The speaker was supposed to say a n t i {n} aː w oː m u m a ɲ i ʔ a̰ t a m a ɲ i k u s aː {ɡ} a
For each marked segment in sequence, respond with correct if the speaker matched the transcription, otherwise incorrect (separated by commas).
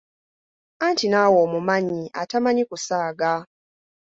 correct, correct